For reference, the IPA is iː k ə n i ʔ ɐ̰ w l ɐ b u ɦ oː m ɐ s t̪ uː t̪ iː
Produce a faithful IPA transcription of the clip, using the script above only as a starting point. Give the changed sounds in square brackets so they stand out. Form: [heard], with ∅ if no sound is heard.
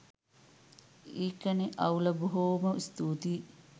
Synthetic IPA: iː k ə n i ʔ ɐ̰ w l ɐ b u ɦ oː m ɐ s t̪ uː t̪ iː